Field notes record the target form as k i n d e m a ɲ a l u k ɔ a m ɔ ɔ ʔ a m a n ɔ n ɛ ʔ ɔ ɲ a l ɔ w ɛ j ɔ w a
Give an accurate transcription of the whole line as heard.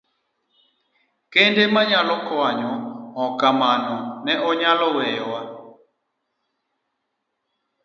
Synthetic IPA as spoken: k e n d e m a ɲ a l ɔ k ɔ a ɲ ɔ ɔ k a m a n ɔ n ɛ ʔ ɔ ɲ a l ɔ w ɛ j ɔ w a

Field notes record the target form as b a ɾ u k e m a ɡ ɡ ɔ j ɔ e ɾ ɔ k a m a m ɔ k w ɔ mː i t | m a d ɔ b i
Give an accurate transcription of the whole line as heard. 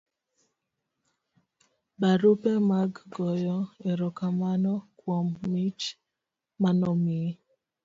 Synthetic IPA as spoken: b a ɾ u p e m a ɡ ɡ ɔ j ɔ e ɾ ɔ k a m a n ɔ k w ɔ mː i t͡ʃ | m a n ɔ m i

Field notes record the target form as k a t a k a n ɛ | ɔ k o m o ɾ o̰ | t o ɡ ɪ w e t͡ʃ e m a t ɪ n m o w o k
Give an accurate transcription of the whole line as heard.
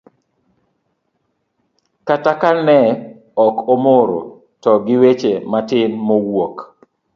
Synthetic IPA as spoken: k a t a k a n ɛ | ɔ k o m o ɾ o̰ | t ɔ ɡ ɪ w e t͡ʃ e m a t ɪ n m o w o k

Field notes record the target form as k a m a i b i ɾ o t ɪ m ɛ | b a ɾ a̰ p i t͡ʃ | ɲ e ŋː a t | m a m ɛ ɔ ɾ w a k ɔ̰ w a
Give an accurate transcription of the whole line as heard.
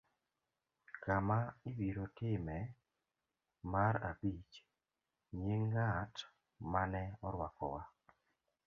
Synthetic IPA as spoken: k a m a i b i ɾ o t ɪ m ɛ | m a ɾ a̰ b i t͡ʃ | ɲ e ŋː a t | m a n ɛ ɔ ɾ w a k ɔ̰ w a

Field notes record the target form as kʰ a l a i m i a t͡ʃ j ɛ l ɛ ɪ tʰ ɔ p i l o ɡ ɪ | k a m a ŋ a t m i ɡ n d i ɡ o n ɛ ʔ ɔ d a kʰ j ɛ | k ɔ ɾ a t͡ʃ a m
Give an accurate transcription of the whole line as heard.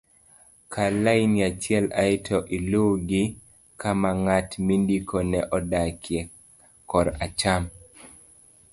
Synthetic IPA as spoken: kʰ a l a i n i a t͡ʃ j ɛ l a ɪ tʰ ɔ ʔ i l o ɡ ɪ | k a m a ŋ a t m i n d i k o n ɛ ʔ ɔ d a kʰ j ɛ | k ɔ ɾ a t͡ʃ a m

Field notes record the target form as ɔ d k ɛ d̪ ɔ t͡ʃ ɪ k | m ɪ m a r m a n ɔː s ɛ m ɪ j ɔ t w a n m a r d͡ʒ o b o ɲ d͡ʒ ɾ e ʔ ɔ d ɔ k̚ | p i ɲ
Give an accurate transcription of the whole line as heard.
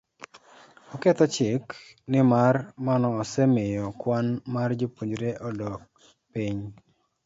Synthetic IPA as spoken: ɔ k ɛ t̪ ɔ t͡ʃ ɪ k | n ɪ m a r m a n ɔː s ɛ m ɪ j ɔ k w a n m a r d͡ʒ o p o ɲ d͡ʒ ɾ e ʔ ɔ d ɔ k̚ | p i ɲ

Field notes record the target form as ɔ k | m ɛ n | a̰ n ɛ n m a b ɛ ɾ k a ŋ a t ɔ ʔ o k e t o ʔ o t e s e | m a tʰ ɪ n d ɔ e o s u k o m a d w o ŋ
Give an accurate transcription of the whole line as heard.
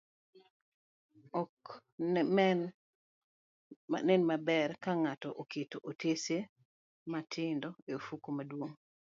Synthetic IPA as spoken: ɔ k | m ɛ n | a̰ n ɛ n m a b ɛ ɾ k a ŋ a t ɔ ʔ o k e t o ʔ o t e s e | m a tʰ ɪ n d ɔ e o f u k o m a d w o ŋ

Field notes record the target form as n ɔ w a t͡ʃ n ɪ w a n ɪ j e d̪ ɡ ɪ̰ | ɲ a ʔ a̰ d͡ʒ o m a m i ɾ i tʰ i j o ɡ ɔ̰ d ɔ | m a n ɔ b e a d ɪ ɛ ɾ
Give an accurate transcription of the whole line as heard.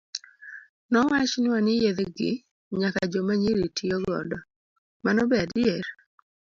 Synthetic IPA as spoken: n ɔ w a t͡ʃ n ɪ w a n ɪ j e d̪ ɡ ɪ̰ | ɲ a k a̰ d͡ʒ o m a ɲ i ɾ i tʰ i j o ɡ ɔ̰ d ɔ | m a n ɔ b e a d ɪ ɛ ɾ

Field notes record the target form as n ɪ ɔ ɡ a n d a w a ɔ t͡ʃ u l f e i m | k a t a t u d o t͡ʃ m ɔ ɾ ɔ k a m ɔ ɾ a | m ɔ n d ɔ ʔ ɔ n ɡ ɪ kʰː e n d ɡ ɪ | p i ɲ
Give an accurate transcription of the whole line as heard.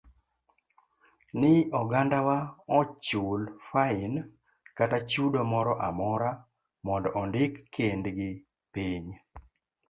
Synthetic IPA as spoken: n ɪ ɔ ɡ a n d a w a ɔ t͡ʃ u l f a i n | k a t a t͡ʃ u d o m ɔ ɾ ɔ ʔ a m ɔ ɾ a | m ɔ n d ɔ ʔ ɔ n d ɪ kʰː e n d ɡ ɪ | p i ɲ

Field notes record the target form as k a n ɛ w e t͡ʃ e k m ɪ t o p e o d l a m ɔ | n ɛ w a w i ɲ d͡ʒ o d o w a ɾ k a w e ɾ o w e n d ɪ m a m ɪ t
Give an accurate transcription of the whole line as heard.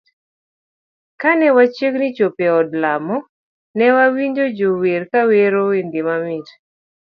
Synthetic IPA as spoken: k a n ɛ w a t͡ʃ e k n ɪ t͡ʃ o p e ɔ d l a m ɔ | n ɛ w a w i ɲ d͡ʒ o d͡ʒ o w e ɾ k a w e ɾ o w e n d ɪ m a m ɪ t

